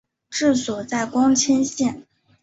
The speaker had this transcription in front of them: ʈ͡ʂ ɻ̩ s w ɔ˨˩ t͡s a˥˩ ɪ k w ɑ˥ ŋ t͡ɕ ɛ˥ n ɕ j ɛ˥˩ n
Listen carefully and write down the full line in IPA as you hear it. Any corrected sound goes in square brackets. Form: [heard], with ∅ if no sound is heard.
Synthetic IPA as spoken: ʈ͡ʂ ɻ̩ s w ɔ˨˩ t͡s a˥˩ ɪ k w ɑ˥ ŋ [t͡ɕʰ] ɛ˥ n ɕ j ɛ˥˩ n